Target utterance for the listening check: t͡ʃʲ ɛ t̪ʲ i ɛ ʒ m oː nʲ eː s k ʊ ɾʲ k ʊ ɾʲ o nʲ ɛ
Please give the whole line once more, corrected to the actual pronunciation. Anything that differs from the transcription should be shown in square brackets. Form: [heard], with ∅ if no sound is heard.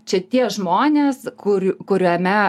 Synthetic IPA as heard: t͡ʃʲ ɛ t̪ʲ i ɛ ʒ m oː nʲ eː s k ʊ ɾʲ k ʊ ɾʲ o [mʲ] ɛ